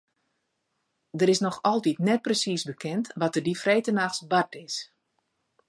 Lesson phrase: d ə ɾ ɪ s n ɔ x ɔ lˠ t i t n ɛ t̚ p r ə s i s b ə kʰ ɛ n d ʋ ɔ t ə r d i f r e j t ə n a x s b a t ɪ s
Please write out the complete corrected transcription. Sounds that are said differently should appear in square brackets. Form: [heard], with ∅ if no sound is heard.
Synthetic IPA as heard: d ə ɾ ɪ s n ɔ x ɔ lˠ t i t n ɛ t̚ p r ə s i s b ə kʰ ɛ n [t] ʋ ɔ t ə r d i f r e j t ə n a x s b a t ɪ s